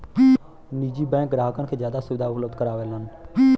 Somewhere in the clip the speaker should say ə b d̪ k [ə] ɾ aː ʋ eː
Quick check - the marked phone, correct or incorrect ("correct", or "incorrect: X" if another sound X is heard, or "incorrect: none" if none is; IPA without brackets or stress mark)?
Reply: correct